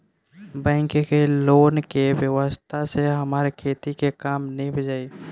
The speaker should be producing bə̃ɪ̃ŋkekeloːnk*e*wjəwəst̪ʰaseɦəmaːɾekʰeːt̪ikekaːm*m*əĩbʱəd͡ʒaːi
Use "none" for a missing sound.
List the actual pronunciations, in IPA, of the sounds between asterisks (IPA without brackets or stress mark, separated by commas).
e, n